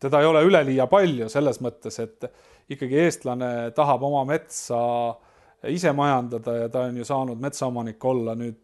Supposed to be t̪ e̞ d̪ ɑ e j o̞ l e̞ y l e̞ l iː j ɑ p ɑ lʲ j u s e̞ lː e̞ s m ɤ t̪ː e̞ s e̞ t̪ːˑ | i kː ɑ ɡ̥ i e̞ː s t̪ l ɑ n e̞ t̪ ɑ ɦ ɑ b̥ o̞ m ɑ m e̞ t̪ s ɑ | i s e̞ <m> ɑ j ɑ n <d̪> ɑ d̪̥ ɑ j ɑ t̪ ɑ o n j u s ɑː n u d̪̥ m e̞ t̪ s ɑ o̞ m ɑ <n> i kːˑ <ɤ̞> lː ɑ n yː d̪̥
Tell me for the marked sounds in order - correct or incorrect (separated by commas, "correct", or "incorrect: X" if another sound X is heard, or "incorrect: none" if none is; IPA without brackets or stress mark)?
correct, correct, correct, incorrect: o̞